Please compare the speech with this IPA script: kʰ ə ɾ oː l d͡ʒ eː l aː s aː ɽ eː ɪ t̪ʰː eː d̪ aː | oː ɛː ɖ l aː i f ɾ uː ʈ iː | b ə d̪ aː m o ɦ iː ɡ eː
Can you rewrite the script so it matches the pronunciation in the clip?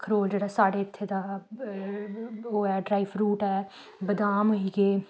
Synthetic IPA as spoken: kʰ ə ɾ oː l d͡ʒ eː ɽ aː s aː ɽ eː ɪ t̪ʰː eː d̪ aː | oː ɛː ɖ ɾ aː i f ɾ uː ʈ ɛː | b ə d̪ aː m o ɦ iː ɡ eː